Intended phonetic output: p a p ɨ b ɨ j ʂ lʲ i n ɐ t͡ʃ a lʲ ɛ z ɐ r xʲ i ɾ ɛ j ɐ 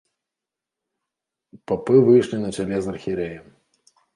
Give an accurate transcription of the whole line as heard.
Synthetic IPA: p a p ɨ v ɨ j ʂ lʲ i n ɐ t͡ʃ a lʲ ɛ z ɐ r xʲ i ɾ ɛ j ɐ